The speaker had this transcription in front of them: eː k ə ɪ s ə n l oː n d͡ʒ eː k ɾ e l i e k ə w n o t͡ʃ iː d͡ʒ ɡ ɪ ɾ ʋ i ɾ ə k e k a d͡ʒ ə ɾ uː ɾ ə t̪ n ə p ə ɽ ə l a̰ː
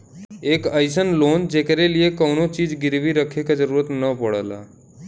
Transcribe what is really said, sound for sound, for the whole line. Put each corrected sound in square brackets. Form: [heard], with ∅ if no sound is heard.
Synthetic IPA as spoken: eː k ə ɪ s ə n l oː n d͡ʒ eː k ɾ e l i e k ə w n o t͡ʃ iː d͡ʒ ɡ ɪ ɾ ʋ i ɾ ə [kʰ] e k a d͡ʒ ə ɾ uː ɾ ə t̪ n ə p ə ɽ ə l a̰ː